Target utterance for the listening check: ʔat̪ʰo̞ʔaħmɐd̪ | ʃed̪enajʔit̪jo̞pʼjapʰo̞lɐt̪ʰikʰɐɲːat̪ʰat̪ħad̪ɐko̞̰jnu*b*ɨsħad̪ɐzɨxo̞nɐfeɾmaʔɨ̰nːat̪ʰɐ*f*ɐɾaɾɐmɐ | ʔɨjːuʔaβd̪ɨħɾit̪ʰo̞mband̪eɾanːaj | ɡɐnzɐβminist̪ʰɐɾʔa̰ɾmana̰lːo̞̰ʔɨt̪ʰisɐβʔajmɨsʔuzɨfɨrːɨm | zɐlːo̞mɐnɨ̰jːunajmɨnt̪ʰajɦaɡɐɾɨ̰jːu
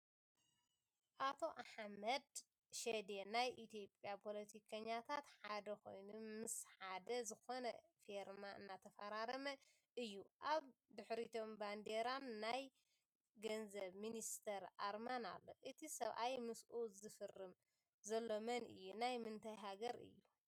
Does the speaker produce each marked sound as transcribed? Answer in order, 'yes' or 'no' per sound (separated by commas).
no, yes